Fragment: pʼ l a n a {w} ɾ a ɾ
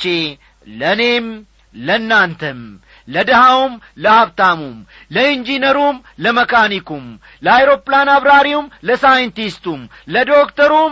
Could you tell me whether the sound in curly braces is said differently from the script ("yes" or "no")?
yes